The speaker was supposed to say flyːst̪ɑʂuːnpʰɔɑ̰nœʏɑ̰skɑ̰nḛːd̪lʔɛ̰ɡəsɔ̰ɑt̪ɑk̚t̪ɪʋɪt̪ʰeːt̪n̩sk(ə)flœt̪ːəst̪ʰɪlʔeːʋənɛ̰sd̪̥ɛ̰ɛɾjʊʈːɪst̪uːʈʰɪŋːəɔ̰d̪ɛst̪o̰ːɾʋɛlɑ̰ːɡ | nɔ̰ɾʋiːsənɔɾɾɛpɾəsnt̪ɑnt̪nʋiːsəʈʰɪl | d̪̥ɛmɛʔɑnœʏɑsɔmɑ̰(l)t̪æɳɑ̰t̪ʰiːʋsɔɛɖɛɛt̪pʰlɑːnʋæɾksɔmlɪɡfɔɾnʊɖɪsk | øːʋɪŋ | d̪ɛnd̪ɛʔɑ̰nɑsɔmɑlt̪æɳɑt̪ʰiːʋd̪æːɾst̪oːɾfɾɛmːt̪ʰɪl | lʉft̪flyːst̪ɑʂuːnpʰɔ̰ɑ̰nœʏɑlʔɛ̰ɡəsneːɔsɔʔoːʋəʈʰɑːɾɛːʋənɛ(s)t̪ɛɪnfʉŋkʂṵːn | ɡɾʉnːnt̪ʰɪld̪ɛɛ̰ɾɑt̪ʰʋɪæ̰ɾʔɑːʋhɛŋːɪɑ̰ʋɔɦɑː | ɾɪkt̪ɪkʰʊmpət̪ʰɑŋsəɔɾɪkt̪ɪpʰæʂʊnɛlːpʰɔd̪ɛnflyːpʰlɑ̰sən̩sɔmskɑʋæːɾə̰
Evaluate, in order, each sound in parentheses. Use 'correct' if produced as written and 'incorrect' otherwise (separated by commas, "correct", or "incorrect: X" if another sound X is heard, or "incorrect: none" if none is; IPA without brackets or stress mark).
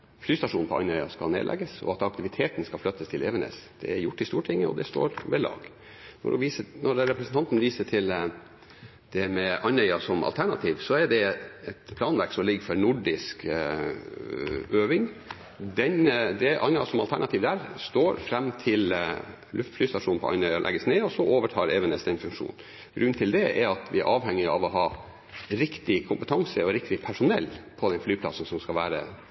incorrect: ɑ, correct, correct